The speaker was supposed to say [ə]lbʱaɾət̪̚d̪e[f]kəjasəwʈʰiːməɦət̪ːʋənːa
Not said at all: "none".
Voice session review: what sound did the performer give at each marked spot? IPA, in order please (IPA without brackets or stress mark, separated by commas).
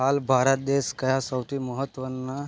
a, s